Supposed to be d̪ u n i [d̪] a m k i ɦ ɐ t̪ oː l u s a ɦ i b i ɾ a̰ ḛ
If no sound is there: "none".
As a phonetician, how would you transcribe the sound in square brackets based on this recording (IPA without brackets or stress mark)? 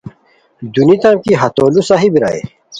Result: t̪